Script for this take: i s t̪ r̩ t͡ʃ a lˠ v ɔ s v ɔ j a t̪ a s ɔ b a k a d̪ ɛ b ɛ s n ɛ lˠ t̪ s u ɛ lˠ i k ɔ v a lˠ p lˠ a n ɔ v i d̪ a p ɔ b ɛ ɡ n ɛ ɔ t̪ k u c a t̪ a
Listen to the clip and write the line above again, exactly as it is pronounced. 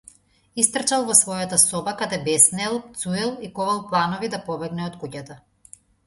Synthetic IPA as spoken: i s t̪ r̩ t͡ʃ a lˠ v ɔ s v ɔ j a t̪ a s ɔ b a k a d̪ ɛ b ɛ s n ɛ lˠ t̪ s u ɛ lˠ i k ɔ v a lˠ p lˠ a n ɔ v i d̪ a p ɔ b ɛ ɡ n ɛ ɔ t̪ k u c a t̪ a